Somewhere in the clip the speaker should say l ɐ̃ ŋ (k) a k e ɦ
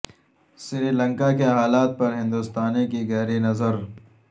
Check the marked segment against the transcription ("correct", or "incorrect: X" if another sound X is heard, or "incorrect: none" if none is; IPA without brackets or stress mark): correct